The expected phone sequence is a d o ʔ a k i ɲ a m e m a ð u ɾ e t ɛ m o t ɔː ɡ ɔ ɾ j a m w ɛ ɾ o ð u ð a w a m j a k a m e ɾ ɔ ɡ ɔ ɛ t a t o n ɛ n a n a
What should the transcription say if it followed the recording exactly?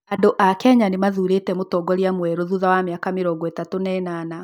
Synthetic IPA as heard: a d o ʔ a k ɛ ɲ a n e m a ð u ɾ e t ɛ m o t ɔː ɡ ɔ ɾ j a m w ɛ ɾ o ð u ð a w a m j a k a m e ɾ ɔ ɡ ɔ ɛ t a t o n ɛ n a n a